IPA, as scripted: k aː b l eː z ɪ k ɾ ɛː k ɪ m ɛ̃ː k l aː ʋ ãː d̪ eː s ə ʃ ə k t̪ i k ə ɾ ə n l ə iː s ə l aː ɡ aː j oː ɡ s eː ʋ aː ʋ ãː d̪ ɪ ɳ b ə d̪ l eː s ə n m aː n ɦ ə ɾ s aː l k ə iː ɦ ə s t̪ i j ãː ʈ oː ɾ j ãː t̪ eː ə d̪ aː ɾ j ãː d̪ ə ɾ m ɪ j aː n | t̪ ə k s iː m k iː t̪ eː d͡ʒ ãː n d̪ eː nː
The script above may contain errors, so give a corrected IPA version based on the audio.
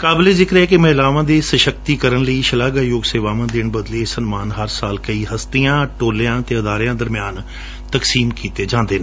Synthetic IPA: k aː b l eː z ɪ k ɾ ɛː k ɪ m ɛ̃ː l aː ʋ ãː d̪ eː s ə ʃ ə k t̪ iː k ə ɾ ə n l ə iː ʃ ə l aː ɡ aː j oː ɡ s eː ʋ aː ʋ ãː d̪ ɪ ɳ b ə d̪ l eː s ə n m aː n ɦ ə ɾ s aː l k ə iː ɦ ə s t̪ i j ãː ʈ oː l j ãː t̪ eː ə d̪ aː ɾ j ãː d̪ ə ɾ m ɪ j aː n | t̪ ə k s iː m k iː t̪ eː d͡ʒ ãː n d̪ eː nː